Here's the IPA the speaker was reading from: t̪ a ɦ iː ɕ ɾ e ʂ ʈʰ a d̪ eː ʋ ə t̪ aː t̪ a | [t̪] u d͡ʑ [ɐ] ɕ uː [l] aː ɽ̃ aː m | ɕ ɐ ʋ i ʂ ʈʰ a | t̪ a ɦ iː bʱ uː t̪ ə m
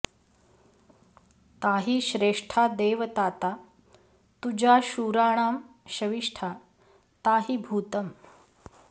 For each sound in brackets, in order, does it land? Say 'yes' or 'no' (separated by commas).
yes, no, no